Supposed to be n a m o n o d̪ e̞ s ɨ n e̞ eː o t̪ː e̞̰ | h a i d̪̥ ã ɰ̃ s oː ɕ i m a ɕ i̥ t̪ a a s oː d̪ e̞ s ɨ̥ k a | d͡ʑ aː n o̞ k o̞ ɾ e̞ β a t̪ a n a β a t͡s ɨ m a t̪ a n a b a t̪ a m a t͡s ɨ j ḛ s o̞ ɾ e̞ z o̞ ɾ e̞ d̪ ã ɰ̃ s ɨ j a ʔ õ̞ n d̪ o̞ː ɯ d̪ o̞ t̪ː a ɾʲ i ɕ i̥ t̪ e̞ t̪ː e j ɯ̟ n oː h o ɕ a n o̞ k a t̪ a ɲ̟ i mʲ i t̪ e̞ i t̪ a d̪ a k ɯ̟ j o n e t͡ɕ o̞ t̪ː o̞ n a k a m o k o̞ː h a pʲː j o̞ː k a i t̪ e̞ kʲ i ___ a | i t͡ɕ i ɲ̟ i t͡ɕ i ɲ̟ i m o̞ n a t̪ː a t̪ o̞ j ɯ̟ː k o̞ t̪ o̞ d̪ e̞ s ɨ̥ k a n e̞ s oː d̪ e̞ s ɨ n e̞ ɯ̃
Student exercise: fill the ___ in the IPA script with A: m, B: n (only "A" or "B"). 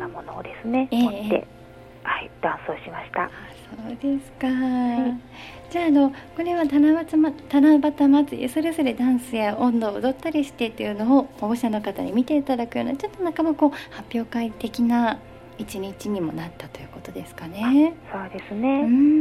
B